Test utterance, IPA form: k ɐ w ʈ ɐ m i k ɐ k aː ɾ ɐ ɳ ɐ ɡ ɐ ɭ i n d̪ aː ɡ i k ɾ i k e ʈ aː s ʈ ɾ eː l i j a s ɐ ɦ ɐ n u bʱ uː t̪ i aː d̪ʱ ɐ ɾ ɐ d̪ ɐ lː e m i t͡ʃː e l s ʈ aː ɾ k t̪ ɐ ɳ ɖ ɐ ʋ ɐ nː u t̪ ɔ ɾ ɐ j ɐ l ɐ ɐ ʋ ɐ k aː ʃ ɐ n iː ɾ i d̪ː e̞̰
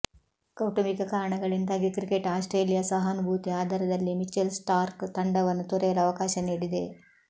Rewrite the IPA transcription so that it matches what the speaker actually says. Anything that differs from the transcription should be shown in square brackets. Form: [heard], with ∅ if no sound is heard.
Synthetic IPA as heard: k ɐ w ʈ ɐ m i k ɐ k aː ɾ ɐ ɳ ɐ ɡ ɐ ɭ i n d̪ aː ɡ i k ɾ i k e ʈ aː s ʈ ɾ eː l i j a s ɐ ɦ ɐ n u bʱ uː t̪ i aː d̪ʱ ɐ ɾ ɐ d̪ ɐ lː [i] m i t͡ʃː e l s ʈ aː ɾ k t̪ ɐ ɳ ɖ ɐ ʋ ɐ nː u t̪ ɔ ɾ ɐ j ɐ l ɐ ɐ ʋ ɐ k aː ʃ ɐ n iː [ɽ] i [d̪] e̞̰